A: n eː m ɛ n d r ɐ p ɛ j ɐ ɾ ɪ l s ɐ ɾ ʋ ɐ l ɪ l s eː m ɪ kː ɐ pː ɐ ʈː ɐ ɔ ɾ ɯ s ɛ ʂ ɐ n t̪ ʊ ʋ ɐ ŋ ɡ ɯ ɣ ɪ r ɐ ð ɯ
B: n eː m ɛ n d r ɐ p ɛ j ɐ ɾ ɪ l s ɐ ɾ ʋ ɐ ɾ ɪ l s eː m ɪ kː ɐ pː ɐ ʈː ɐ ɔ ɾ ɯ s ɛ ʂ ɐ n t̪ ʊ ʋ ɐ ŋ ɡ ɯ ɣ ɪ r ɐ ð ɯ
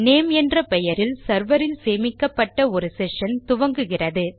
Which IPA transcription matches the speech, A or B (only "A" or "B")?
B